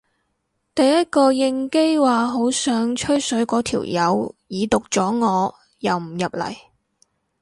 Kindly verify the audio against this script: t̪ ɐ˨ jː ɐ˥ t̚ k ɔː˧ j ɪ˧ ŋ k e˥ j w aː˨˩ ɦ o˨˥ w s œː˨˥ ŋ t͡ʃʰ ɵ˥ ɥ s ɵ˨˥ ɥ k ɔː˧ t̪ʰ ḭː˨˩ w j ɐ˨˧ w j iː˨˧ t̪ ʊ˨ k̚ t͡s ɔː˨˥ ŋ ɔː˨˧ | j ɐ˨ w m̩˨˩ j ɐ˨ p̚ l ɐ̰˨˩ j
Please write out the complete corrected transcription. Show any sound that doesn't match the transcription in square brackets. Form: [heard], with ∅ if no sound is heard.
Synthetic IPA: t̪ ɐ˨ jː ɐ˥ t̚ k ɔː˧ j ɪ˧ ŋ k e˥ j w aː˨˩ ɦ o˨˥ w s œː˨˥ ŋ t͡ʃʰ ɵ˥ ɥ s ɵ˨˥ ɥ k [ɔː˨˥] t̪ʰ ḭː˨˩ w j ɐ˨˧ w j iː˨˧ t̪ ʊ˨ k̚ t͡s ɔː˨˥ ŋ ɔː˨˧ | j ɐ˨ w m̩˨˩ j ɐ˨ p̚ l ɐ̰˨˩ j